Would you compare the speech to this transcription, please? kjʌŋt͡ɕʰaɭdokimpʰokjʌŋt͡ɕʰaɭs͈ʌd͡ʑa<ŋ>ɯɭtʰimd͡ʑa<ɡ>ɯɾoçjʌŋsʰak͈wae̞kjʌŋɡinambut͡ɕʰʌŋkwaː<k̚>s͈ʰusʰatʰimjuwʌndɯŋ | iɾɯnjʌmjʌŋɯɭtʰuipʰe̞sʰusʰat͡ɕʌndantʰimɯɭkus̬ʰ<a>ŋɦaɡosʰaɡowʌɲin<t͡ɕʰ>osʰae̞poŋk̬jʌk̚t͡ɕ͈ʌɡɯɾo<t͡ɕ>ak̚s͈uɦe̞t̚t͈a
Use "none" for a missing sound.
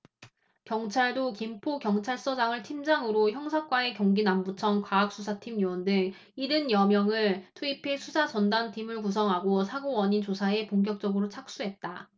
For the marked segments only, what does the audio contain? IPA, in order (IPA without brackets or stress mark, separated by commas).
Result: ŋ, ŋ, k̚, ʌ, t͡ɕ, t͡ɕʰ